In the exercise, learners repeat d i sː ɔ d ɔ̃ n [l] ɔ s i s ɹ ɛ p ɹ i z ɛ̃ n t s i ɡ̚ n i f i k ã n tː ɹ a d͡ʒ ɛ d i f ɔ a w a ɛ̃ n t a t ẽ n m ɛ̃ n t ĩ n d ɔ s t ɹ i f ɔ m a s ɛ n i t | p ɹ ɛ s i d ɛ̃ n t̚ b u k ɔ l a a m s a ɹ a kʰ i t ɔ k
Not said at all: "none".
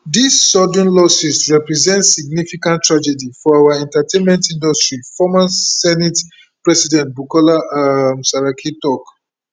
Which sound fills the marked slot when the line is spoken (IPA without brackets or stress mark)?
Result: l